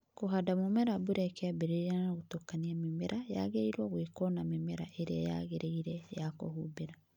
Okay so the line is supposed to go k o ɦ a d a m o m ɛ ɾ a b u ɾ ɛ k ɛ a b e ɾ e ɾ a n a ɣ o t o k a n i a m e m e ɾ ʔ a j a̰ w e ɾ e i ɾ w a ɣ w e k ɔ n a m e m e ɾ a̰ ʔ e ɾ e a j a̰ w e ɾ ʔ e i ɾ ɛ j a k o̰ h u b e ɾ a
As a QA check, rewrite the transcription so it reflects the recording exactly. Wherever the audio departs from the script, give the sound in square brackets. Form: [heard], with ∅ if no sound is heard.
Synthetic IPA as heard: k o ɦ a d a m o m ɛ ɾ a b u ɾ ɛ k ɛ a b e ɾ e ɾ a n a ɣ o t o k a n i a m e m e ɾ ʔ a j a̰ [ɣ] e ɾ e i ɾ w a ɣ w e k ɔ n a m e m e ɾ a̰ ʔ e ɾ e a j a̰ [ɣ] e ɾ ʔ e i ɾ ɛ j a k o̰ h u b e ɾ a